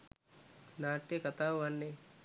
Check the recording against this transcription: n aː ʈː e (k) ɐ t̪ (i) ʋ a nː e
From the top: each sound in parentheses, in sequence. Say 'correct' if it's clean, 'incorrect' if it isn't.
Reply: correct, incorrect

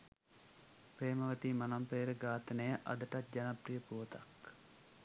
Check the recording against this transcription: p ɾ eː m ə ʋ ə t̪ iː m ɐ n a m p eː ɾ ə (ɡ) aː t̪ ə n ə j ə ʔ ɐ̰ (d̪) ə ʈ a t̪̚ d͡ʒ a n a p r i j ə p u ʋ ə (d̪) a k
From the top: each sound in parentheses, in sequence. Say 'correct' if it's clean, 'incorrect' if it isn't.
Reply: correct, correct, incorrect

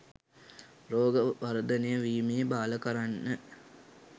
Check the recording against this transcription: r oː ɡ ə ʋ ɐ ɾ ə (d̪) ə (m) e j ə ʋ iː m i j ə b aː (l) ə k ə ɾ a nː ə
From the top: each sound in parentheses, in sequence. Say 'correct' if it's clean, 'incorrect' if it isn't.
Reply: correct, incorrect, correct

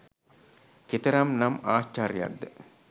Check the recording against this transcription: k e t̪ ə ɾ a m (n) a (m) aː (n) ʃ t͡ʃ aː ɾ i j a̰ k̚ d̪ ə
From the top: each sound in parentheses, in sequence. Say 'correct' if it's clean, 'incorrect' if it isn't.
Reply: correct, correct, incorrect

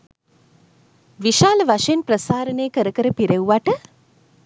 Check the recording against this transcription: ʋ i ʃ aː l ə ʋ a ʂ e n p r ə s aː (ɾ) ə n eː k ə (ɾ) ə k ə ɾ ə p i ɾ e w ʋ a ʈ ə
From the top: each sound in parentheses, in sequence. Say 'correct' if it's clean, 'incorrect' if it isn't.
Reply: correct, correct

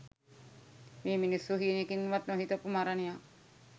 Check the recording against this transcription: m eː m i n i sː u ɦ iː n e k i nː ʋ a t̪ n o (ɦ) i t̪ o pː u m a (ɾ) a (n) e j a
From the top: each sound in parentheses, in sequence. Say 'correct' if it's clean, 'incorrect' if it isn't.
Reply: correct, correct, correct

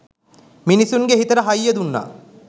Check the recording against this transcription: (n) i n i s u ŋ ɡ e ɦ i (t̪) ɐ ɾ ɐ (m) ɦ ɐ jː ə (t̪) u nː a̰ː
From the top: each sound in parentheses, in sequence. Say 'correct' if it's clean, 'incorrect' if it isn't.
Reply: incorrect, correct, incorrect, incorrect

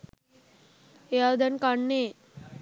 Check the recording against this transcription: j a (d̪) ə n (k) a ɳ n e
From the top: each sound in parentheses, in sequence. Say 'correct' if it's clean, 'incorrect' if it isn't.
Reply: correct, correct

